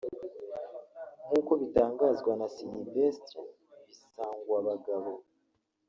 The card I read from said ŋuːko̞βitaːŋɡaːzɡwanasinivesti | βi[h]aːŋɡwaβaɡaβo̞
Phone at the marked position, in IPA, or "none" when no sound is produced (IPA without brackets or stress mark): s